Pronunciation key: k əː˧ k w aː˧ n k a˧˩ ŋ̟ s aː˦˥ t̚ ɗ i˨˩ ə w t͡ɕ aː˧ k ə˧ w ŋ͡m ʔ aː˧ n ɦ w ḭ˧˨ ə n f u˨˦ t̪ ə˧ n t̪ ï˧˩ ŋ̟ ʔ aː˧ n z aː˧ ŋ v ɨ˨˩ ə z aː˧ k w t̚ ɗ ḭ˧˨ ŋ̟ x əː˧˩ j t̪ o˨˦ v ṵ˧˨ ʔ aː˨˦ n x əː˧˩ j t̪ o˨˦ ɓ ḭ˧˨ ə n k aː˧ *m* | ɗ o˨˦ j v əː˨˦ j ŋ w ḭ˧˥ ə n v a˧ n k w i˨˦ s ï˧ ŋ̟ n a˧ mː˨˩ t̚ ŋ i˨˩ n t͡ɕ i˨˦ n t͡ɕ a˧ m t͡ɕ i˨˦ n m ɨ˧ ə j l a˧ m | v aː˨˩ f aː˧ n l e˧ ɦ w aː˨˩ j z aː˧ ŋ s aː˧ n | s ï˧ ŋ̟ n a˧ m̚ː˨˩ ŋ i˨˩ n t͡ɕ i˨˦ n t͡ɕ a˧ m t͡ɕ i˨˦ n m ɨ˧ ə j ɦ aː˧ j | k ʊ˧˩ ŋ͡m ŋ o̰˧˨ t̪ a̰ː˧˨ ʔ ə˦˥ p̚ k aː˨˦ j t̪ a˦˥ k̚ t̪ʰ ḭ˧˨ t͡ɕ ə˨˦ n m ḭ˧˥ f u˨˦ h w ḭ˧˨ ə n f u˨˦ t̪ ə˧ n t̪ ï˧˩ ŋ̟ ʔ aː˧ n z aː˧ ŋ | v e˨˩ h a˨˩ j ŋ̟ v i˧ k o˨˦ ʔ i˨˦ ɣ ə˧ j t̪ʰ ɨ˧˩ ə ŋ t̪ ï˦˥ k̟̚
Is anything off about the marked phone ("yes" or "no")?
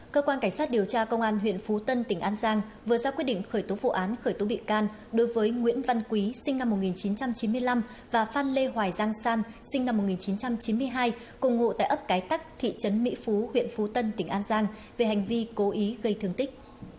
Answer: yes